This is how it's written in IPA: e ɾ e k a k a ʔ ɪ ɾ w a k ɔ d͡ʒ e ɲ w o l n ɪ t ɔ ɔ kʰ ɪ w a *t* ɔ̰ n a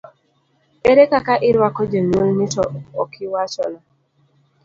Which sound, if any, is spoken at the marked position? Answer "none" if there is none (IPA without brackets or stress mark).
t͡ʃ